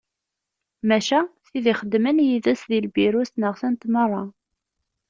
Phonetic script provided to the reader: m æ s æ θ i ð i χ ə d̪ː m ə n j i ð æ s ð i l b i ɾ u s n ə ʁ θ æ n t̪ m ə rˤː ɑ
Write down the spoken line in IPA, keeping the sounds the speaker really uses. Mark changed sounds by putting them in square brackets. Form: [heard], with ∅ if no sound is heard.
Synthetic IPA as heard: m æ [ʃ] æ θ i ð i χ ə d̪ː m ə n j i ð æ s ð i l b i ɾ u s n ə ʁ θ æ n t̪ m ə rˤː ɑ